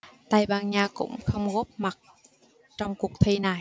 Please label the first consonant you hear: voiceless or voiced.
voiceless